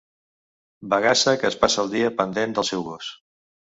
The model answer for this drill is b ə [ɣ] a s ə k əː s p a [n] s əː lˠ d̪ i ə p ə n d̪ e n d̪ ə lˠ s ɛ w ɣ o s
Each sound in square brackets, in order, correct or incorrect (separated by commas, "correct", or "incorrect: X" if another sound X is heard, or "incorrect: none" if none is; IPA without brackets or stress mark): correct, incorrect: none